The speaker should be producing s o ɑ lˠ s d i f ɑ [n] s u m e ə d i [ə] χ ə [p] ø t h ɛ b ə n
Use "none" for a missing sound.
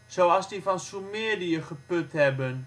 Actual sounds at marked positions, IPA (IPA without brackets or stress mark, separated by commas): n, ə, p